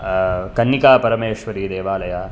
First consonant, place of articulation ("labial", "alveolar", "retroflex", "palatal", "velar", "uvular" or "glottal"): velar